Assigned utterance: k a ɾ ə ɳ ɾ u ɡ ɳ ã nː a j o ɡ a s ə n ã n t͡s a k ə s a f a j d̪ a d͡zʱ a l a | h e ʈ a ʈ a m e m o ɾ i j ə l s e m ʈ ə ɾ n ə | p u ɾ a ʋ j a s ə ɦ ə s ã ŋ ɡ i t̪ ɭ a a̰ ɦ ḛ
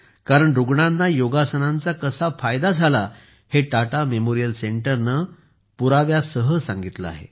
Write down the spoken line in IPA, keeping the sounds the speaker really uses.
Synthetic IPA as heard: k a ɾ ə ɳ ɾ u ɡ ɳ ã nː a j o ɡ a s ə n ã n t͡s a k ə s a f a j d̪ a d͡zʱ a l a | h e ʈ a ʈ a m e m o ɾ i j ə l s e ɳ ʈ ə ɾ n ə | p u ɾ a ʋ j a s ə ɦ ə s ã ŋ ɡ i t̪ l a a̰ ɦ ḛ